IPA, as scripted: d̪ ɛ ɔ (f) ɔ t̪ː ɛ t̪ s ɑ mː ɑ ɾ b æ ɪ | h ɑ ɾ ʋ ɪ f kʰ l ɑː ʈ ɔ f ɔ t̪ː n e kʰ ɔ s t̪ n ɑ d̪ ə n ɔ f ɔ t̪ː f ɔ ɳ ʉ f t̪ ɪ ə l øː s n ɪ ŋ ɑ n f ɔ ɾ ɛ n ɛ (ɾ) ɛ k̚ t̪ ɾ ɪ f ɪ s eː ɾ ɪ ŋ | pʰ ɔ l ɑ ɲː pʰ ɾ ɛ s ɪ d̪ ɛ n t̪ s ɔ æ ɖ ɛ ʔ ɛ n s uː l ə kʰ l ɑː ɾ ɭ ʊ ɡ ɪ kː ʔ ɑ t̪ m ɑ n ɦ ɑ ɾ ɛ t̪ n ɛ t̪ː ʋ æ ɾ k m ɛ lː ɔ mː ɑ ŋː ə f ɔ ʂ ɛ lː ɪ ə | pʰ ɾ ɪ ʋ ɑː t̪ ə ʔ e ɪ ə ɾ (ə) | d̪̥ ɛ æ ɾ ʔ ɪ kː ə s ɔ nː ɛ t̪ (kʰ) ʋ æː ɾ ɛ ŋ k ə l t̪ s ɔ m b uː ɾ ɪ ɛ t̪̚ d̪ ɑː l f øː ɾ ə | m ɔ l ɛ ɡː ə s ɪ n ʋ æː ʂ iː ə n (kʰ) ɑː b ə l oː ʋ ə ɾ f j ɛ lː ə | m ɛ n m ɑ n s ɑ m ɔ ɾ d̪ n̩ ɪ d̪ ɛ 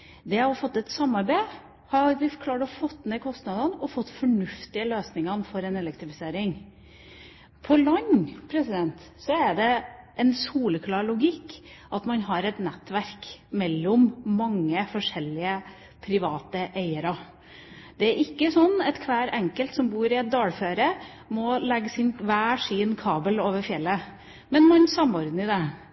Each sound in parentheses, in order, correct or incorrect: correct, incorrect, incorrect, correct, correct

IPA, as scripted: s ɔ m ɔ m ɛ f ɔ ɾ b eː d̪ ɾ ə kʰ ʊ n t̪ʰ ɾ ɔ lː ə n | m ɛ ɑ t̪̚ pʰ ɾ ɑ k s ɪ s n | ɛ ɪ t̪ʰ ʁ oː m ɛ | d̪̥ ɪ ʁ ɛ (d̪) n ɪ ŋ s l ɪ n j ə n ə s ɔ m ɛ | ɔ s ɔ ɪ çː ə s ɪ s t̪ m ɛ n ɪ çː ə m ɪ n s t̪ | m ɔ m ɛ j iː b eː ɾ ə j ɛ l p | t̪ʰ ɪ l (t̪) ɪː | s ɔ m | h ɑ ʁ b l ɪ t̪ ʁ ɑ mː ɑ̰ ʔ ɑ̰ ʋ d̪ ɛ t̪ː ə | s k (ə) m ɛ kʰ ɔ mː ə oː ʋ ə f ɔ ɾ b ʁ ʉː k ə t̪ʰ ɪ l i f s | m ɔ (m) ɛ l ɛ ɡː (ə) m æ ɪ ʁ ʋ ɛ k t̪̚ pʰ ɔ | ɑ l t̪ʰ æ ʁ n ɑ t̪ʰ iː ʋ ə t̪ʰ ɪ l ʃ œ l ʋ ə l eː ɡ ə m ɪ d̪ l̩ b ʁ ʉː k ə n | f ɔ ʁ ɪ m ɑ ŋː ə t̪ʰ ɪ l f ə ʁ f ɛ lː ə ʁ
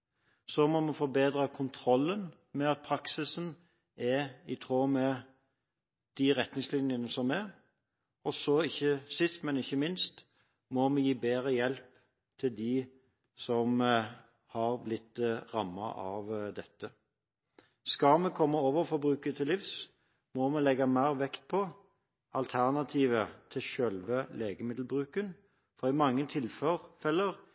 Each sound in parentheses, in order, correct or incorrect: incorrect, incorrect, incorrect, correct, incorrect

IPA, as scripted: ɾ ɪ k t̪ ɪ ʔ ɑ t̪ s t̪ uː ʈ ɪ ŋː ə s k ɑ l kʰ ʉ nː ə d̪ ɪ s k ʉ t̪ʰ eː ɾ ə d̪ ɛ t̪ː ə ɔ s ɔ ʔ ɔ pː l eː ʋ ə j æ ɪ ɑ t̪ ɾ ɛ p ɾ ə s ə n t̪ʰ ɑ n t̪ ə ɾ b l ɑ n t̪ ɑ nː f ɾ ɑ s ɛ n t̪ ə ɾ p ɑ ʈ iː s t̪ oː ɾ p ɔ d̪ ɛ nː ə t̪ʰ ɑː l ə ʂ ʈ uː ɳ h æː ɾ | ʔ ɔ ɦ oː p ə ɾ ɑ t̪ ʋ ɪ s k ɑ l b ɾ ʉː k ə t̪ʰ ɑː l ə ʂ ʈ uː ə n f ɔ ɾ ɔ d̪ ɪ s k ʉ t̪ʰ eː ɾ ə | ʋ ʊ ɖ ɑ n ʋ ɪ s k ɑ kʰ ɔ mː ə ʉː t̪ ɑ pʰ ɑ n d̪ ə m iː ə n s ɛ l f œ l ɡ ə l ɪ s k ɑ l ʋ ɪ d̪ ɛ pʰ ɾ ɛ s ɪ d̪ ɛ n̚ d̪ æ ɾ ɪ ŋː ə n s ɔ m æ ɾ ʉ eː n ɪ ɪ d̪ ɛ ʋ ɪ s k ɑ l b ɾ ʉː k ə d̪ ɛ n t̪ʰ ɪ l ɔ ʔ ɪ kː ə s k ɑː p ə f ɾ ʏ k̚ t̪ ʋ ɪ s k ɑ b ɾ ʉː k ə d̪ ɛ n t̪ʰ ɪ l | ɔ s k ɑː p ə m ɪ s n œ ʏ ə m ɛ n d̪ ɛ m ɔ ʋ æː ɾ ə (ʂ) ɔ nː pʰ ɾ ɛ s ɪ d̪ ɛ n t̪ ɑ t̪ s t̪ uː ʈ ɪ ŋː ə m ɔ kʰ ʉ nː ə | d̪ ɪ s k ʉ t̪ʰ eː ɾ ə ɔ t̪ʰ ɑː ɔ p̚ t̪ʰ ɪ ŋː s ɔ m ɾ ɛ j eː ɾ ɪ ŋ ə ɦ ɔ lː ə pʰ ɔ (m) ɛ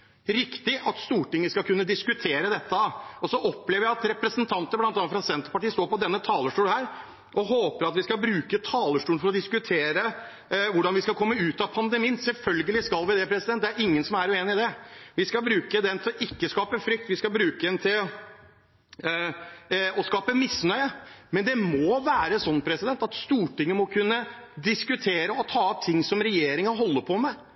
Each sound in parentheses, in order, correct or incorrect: incorrect, correct

